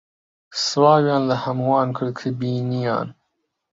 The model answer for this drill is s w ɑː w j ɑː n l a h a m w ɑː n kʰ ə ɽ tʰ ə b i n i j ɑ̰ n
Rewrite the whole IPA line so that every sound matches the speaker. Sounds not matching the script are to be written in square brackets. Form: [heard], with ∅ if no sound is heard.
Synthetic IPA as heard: s w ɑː w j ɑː n l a h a m w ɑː n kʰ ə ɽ [kʰ] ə b i n i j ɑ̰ n